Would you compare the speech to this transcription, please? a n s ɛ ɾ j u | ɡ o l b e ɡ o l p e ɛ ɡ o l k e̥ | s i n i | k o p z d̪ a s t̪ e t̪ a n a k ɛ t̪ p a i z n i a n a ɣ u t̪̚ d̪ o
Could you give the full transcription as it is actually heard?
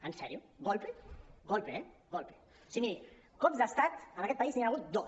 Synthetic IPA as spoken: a n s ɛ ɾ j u | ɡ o l p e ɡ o l p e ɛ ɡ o l p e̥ | s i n i | k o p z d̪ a s t̪ a t̪ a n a k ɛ t̪ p a i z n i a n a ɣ u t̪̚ d̪ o